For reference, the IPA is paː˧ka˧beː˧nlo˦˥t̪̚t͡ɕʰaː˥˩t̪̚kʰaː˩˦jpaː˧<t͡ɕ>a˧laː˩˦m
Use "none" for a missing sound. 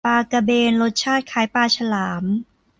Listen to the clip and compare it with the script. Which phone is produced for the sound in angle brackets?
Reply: t͡ɕʰ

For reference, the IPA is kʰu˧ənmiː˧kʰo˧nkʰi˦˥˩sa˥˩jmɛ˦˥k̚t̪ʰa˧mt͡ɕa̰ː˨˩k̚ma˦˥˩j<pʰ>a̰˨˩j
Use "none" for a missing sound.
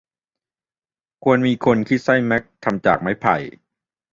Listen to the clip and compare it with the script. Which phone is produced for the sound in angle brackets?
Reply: pʰ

